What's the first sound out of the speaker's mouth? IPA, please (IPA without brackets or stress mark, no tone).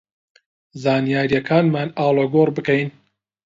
z